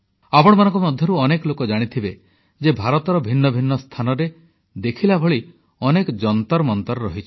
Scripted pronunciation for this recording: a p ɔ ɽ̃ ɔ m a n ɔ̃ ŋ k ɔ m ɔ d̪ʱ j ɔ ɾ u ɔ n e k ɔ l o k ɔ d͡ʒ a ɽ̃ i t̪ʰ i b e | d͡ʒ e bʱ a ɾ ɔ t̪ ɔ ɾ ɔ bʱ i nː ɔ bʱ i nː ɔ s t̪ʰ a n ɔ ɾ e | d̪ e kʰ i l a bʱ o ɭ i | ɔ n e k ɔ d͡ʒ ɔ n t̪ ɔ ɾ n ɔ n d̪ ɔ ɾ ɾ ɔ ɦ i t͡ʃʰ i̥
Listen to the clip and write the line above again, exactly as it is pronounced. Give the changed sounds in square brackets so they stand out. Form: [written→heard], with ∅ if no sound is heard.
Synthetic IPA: a p ɔ ɽ̃ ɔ m a n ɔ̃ ŋ k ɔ m ɔ d̪ʱ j ɔ ɾ u ɔ n e k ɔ l o k ɔ d͡ʒ a ɽ̃ i t̪ʰ i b e | d͡ʒ e bʱ a ɾ ɔ t̪ ɔ ɾ ɔ bʱ i nː ɔ bʱ i nː ɔ s t̪ʰ a n ɔ ɾ e | d̪ e kʰ i l a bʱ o ɭ i | ɔ n e k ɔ d͡ʒ ɔ n t̪ ɔ ɾ [n→m] ɔ n [d̪→t̪] ɔ ɾ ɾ ɔ ɦ i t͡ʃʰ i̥